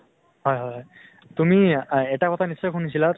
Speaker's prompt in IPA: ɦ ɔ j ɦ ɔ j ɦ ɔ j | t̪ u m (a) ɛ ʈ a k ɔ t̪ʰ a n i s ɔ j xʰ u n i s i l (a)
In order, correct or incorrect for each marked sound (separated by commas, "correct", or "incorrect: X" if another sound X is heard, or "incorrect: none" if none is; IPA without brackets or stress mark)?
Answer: incorrect: i, correct